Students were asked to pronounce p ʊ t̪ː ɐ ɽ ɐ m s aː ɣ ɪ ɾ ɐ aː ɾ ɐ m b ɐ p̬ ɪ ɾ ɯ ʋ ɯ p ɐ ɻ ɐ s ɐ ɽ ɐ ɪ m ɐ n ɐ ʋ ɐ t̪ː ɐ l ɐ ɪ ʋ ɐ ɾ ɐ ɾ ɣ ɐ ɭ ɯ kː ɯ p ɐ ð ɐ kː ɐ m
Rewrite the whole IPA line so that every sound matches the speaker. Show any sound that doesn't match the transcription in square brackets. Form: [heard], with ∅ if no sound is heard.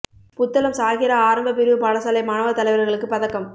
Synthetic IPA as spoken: p ʊ t̪ː ɐ [l] ɐ m s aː ɣ ɪ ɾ ɐ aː ɾ ɐ m b ɐ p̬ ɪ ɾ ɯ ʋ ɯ p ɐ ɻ ɐ s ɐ [l] ɐ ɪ m ɐ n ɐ ʋ ɐ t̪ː ɐ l ɐ ɪ ʋ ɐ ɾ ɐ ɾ ɣ ɐ ɭ ɯ kː ɯ p ɐ ð ɐ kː ɐ m